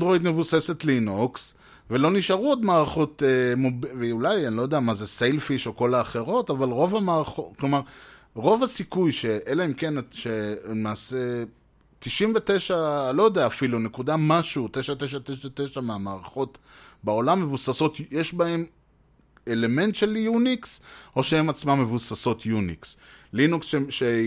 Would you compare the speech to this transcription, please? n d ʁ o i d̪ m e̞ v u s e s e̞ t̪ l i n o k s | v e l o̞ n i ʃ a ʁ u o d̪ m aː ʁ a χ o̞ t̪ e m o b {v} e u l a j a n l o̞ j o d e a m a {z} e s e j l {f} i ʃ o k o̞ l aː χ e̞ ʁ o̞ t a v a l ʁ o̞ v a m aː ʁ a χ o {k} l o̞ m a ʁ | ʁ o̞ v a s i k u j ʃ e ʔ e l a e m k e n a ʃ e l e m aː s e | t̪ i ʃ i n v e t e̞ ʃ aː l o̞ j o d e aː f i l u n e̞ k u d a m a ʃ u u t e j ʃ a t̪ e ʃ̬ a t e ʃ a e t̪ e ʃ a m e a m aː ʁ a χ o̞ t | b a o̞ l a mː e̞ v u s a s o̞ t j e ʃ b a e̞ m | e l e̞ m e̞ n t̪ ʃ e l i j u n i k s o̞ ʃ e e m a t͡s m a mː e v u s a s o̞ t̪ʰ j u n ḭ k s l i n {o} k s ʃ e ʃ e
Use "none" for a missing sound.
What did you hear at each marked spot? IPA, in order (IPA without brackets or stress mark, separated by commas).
v, z, f, k, u